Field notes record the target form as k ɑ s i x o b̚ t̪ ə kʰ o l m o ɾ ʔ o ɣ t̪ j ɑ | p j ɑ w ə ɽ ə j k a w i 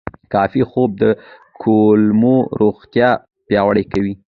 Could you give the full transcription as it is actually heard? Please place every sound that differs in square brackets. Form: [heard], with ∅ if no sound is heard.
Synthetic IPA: k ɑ [f] i x o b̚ [d̪] ə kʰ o l m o ɾ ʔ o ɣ t̪ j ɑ | p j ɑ w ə ɽ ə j k a w i

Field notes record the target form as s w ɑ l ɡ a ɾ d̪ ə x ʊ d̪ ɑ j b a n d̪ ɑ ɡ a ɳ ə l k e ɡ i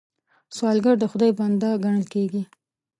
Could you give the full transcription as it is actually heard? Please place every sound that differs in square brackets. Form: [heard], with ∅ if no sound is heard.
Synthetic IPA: s w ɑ l ɡ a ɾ d̪ ə x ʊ d̪ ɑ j b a n d̪ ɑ ɡ a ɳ ə l k e ɡ i

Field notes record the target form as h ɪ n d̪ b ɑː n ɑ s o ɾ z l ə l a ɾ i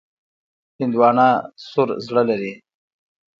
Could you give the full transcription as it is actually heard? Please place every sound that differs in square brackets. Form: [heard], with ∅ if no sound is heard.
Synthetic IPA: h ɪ n d̪ [w] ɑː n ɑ s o ɾ z [ɽ] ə l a ɾ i

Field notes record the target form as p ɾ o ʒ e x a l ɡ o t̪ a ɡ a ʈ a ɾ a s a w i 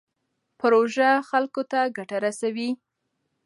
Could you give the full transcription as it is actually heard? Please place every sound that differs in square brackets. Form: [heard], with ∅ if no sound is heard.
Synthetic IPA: p ɾ o ʒ [a] x a l [k] o t̪ a ɡ a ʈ a ɾ a s a w i

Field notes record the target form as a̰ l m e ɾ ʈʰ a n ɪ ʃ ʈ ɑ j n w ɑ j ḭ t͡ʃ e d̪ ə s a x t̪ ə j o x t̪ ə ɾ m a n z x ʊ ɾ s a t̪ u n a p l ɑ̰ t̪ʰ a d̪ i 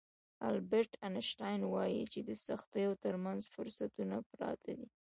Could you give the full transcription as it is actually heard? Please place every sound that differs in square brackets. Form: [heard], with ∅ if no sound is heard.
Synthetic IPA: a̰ l [b] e ɾ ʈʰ a n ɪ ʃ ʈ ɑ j n w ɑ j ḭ t͡ʃ e d̪ ə s a x t̪ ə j o [∅] t̪ ə ɾ m a n z [f] ʊ ɾ s a t̪ u n a p [ɾ] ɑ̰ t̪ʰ a d̪ i

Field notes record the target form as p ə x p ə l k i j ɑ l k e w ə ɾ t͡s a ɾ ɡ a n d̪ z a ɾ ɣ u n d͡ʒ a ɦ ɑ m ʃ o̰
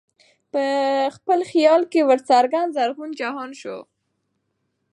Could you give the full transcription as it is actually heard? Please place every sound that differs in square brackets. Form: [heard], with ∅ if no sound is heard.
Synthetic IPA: p ə x p ə l [x] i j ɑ l k e w ə ɾ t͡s a ɾ ɡ a n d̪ z a ɾ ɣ u n d͡ʒ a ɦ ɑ [n] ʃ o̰

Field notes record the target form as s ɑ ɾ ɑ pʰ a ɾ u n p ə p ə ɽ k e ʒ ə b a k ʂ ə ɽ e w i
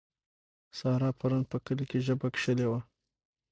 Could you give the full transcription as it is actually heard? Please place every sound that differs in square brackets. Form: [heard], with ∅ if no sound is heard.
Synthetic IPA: s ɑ ɾ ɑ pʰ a ɾ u n p ə [k] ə [l] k e ʒ ə b a k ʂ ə [l] e w [a]

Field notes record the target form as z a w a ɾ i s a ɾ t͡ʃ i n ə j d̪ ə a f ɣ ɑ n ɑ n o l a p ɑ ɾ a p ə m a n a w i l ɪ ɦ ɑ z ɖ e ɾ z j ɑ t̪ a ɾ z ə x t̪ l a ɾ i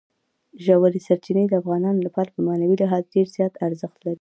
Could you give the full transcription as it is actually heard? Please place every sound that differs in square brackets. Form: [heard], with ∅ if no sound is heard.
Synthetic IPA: [ʒ] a w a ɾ i s a ɾ t͡ʃ i n ə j d̪ ə a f ɣ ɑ n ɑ n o l a p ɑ ɾ a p ə m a n a w i l ɪ ɦ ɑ z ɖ e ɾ z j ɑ t̪ a ɾ z ə x t̪ l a ɾ i

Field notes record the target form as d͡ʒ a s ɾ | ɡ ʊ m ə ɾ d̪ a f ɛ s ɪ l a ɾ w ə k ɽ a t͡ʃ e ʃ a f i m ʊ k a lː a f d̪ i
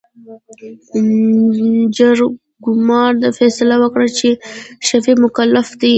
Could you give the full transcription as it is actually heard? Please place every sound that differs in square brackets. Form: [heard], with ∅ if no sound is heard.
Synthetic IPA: d͡ʒ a [∅] ɾ | ɡ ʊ m [ɑ] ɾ d̪ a f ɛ s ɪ l a [∅] w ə k ɽ a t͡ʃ e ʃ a f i m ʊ k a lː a f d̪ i

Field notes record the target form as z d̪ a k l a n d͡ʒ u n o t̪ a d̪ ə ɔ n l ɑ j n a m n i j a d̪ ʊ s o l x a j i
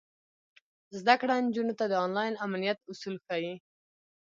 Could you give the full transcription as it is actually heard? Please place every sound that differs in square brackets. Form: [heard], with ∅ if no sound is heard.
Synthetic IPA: z d̪ a k [ɽ] a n d͡ʒ u n o t̪ a d̪ ə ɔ n l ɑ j n a m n i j a [t̪] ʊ s [u] l x a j i

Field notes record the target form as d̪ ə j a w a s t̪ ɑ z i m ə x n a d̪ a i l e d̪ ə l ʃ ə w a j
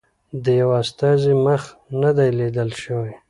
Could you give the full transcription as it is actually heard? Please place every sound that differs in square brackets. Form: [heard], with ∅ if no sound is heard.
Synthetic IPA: d̪ ə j a w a s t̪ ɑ z i m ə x n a d̪ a [j] l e d̪ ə l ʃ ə w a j

